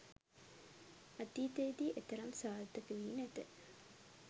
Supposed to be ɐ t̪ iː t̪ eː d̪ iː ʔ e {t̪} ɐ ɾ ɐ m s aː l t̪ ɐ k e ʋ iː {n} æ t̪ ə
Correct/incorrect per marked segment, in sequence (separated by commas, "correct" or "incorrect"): correct, correct